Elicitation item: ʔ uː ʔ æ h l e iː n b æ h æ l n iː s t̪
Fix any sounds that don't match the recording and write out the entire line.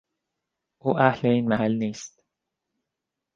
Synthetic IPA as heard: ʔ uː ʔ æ h l e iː n m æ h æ l n iː s t̪